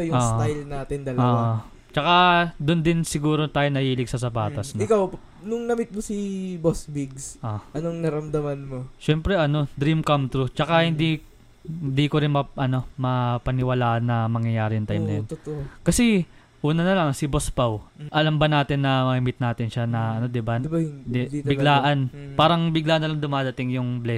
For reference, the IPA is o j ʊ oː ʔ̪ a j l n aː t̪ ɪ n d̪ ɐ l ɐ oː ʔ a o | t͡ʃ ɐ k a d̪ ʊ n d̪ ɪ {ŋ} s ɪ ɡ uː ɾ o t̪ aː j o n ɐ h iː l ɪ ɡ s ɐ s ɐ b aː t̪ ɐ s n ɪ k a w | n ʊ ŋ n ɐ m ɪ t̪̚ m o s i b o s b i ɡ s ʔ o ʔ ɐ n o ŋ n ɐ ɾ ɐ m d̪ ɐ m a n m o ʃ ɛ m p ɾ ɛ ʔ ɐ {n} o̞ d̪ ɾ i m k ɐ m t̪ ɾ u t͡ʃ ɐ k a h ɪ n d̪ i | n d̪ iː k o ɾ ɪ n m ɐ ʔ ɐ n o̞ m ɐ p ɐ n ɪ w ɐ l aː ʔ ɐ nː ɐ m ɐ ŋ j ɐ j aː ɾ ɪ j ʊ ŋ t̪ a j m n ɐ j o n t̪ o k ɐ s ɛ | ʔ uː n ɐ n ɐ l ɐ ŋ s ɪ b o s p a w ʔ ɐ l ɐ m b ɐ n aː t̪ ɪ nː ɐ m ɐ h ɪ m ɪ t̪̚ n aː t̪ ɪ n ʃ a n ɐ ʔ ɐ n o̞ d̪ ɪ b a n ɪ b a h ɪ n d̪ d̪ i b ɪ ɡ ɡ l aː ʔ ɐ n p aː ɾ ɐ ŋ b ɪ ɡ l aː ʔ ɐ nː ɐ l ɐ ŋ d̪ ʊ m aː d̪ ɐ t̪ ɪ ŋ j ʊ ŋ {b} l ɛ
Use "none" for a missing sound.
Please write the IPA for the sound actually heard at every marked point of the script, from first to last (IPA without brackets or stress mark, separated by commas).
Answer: n, n, b